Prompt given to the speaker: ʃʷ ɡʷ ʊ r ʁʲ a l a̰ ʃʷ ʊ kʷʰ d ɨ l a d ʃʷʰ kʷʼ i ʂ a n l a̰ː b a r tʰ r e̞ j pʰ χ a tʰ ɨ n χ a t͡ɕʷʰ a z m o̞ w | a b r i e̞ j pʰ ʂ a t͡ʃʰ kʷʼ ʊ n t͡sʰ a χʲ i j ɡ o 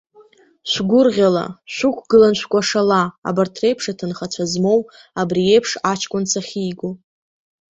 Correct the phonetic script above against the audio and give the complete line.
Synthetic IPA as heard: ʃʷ ɡʷ ʊ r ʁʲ a l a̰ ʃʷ ʊ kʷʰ ɡ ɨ l a n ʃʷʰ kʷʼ a ʂ a l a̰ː b a r tʰ r e̞ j pʰ ʂ a tʰ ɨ n χ a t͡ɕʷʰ a z m o̞ w | a b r i e̞ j pʰ ʂ a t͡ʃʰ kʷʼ ʊ n t͡sʰ a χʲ i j ɡ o